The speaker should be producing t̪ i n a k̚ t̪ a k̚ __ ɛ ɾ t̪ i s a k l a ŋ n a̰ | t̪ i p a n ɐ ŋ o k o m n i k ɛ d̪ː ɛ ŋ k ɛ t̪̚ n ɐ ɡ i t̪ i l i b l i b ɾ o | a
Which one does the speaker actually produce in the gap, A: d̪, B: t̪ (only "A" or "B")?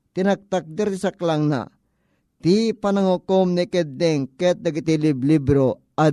A